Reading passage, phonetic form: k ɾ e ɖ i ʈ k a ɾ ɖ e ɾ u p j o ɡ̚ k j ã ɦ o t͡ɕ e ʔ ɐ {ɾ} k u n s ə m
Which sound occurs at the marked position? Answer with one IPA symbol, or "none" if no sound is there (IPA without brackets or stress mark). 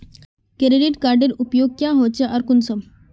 ɾ